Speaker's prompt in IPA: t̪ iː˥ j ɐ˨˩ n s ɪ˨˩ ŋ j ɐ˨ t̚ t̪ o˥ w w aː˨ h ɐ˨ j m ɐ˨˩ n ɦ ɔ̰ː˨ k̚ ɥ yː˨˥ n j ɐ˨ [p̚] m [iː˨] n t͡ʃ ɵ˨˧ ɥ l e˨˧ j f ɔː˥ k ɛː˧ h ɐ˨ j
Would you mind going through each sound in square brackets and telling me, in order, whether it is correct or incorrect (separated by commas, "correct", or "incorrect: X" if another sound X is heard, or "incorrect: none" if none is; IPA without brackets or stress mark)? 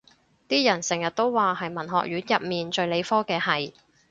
correct, correct